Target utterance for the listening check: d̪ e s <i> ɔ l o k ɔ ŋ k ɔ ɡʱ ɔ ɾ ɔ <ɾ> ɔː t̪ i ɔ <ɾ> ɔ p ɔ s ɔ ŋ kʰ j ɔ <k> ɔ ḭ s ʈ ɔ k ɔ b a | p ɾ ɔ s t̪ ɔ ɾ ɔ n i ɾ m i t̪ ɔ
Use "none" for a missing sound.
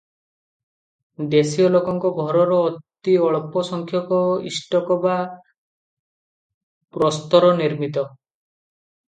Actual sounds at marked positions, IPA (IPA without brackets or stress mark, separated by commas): i, ɾ, ɭ, k